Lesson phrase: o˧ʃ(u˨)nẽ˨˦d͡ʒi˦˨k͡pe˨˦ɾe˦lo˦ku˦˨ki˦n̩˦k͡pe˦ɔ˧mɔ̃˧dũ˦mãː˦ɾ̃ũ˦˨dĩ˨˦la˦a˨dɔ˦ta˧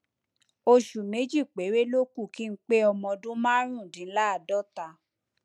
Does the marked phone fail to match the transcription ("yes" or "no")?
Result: no